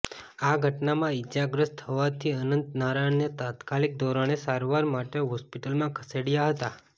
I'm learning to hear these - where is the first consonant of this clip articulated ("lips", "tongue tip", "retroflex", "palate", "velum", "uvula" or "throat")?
velum